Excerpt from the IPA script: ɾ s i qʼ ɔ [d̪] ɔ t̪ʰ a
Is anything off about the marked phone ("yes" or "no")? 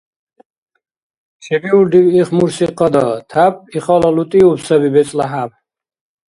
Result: no